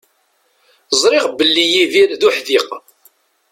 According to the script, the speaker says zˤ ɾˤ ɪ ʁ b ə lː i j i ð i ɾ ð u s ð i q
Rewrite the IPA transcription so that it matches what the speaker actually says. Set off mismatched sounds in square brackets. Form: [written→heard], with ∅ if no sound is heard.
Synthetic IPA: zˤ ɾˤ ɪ ʁ b ə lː i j i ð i ɾ ð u [s→ħ] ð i q